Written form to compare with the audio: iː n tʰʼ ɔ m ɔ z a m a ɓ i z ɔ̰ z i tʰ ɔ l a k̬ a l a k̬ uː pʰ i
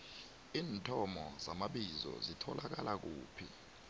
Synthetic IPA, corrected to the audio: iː n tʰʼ ɔ m ɔ z a m a ɓ i z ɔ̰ z i tʰ ɔ l a k̬ a l a k̬ uː pʰ i